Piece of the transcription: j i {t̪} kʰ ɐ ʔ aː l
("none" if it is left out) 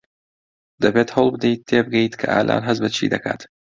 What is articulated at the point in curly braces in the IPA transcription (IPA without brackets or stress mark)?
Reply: t̪